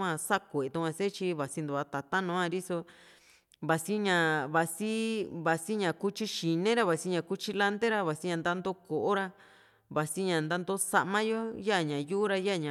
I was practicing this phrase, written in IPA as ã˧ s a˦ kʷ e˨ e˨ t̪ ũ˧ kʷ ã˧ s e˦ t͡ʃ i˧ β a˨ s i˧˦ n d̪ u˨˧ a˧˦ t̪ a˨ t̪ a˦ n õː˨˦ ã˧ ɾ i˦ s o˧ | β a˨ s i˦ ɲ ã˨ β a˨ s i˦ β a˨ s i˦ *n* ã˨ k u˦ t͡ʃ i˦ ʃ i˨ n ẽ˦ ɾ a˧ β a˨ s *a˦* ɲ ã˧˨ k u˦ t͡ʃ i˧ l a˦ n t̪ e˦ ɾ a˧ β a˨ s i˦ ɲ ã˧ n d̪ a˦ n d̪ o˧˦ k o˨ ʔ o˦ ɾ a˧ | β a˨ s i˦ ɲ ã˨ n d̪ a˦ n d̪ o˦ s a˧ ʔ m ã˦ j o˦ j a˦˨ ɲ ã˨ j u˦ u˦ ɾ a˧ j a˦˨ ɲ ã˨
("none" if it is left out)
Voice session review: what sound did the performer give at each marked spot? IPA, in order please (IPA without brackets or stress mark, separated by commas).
ɲ, i˦